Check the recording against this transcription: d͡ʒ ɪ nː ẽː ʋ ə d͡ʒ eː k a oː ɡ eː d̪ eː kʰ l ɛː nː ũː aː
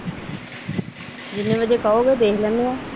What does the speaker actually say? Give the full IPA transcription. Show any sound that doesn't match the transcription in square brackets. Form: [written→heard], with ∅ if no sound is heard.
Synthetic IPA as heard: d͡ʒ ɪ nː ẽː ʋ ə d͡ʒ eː k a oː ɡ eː d̪ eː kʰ l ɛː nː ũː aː